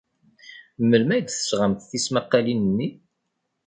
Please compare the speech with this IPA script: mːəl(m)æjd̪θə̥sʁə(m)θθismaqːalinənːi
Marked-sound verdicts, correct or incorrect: correct, correct

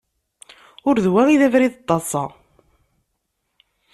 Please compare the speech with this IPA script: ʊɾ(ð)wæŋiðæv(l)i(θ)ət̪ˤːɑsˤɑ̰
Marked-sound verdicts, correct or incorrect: correct, incorrect, incorrect

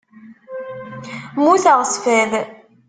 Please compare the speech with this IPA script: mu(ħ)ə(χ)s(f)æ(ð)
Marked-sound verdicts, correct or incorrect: incorrect, incorrect, correct, correct

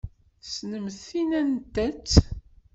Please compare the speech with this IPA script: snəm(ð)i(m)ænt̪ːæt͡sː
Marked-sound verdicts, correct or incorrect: incorrect, incorrect

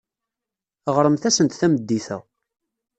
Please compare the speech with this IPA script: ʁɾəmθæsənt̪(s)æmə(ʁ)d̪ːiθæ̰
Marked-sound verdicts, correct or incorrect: incorrect, incorrect

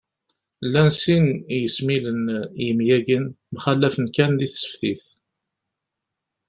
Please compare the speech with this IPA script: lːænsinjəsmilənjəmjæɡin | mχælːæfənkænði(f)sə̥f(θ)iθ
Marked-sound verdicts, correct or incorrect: incorrect, correct

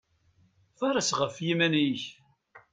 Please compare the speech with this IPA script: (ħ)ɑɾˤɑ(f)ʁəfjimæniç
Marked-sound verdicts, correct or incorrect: incorrect, incorrect

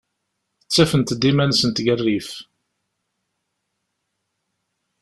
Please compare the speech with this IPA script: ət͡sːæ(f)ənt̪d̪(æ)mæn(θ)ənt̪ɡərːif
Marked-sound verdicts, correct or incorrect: correct, incorrect, incorrect

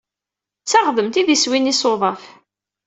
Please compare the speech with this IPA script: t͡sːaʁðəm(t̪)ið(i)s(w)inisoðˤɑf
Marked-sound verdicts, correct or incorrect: correct, correct, correct

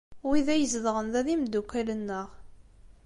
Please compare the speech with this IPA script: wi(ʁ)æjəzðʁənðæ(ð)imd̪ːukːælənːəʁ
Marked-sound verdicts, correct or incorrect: incorrect, correct

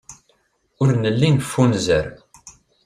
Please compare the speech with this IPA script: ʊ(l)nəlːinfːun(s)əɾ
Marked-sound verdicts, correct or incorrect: incorrect, incorrect

